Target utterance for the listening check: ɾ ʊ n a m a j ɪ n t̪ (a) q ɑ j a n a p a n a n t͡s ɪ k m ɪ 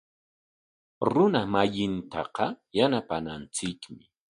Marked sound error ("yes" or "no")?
yes